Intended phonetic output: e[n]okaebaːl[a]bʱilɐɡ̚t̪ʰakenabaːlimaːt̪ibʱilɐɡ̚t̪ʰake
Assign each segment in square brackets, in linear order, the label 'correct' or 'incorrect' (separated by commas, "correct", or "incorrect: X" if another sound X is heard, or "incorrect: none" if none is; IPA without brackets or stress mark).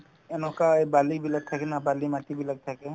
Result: correct, incorrect: i